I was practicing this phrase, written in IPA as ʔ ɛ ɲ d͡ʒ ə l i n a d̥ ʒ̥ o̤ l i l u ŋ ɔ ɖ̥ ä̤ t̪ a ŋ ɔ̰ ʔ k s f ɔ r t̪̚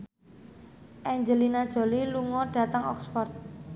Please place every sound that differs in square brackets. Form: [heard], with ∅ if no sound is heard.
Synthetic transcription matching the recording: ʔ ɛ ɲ d͡ʒ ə l i n a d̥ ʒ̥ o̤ l i l u ŋ ɔ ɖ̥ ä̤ t̪ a ŋ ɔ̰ [∅] k s f ɔ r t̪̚